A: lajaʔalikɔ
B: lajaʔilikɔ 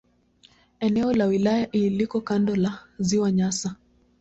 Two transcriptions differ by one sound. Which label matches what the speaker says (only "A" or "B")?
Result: B